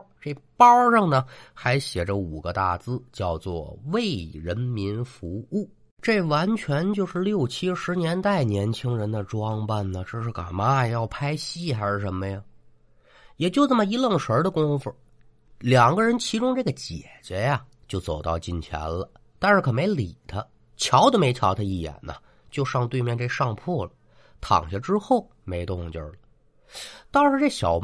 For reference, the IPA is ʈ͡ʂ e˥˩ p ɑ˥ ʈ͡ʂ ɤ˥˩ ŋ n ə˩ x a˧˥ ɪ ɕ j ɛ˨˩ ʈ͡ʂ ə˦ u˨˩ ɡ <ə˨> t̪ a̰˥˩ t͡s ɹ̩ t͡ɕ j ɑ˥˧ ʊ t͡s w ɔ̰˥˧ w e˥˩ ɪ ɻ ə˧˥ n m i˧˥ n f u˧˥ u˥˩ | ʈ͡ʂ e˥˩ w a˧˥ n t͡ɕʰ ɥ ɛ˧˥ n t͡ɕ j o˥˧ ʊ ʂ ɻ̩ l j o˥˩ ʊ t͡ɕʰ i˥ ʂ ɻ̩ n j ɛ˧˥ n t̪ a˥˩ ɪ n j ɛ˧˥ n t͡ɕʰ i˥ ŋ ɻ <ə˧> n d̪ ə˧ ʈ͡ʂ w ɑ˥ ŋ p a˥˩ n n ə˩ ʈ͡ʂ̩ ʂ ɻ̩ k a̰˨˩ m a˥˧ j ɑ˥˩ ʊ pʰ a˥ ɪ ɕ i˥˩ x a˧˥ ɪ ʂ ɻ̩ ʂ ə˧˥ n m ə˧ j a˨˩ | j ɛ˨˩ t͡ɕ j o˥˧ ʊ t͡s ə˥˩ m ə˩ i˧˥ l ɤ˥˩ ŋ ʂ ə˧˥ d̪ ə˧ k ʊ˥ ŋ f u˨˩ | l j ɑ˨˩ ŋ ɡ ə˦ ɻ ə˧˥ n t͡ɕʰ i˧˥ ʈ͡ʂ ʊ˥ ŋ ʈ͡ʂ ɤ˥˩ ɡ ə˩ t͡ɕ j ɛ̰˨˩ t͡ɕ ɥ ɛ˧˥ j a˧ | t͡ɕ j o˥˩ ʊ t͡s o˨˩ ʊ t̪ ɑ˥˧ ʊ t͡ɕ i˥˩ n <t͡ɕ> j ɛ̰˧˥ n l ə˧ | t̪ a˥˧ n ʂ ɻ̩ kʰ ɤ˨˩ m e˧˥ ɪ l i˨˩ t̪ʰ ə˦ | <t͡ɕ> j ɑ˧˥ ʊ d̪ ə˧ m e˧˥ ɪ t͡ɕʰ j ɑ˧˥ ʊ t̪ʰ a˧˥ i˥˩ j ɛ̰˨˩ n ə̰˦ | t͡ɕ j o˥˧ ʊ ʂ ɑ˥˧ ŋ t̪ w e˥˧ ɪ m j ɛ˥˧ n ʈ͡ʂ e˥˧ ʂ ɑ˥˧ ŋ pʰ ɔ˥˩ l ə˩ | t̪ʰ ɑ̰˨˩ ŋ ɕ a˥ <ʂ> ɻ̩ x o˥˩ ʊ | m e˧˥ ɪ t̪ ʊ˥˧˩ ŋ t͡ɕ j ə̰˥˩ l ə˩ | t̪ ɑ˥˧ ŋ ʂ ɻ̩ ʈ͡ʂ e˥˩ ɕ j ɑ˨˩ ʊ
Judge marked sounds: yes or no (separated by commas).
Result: no, no, no, no, no